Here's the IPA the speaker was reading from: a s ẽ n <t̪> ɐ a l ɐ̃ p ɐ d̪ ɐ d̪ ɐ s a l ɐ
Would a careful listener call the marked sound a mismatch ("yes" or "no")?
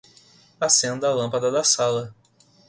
yes